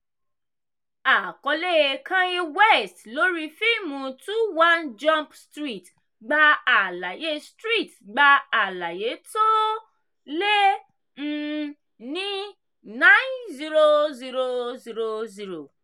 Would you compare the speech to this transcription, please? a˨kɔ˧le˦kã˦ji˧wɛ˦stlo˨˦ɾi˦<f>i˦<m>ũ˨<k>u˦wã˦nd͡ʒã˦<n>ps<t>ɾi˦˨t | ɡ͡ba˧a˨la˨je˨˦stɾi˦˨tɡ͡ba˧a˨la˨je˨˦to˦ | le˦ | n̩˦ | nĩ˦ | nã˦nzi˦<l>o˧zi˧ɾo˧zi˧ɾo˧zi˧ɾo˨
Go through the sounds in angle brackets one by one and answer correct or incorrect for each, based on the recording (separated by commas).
correct, correct, incorrect, incorrect, correct, incorrect